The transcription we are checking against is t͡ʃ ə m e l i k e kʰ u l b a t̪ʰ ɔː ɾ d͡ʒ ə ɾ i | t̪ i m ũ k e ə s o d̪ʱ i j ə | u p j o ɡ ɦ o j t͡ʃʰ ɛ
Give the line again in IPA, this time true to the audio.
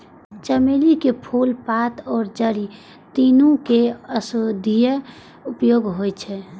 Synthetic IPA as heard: t͡ʃ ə m e l i k e pʰ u l p a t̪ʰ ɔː ɾ d͡ʒ ə ɾ i | t̪ i n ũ k e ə s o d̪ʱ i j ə | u p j o ɡ ɦ o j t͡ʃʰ ɛ